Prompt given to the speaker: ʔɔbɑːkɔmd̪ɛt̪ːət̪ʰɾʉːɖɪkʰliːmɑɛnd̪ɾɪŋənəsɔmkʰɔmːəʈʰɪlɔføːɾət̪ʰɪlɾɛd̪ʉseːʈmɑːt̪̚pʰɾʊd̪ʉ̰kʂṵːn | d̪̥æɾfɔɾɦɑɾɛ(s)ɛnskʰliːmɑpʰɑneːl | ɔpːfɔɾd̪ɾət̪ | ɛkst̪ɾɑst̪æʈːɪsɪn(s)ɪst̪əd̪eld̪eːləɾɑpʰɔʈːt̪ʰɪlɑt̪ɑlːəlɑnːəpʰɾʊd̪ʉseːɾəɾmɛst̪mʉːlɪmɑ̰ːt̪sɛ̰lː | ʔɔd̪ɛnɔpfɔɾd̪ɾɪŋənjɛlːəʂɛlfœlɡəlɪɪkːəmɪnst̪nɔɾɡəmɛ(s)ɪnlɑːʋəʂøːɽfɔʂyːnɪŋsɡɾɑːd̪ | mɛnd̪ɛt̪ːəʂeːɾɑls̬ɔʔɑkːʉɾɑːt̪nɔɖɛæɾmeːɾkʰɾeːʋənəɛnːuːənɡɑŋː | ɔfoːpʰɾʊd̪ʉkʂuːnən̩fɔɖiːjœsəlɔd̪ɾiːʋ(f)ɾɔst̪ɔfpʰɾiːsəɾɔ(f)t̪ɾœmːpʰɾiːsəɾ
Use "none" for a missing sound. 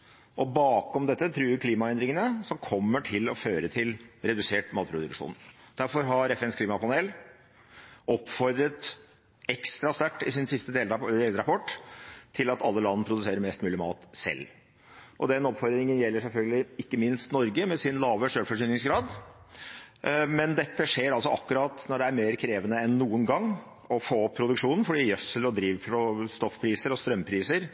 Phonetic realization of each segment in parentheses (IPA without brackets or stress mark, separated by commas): f, s, s, f, s